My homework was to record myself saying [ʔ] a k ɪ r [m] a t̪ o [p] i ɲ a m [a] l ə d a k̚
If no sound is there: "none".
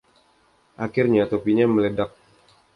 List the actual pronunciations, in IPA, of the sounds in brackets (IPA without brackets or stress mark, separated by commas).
ʔ, ɲ, p, ə